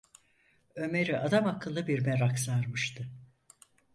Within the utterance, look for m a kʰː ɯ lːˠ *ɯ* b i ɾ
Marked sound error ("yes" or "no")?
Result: no